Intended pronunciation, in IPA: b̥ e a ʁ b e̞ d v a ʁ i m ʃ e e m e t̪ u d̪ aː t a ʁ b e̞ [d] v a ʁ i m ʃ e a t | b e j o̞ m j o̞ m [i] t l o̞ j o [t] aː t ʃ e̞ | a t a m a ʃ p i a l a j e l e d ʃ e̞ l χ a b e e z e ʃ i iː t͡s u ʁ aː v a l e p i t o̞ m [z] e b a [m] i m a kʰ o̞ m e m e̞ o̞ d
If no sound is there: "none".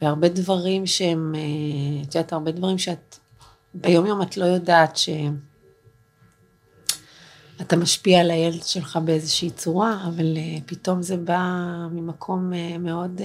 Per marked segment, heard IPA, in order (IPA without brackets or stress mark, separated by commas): d, a, d, z, m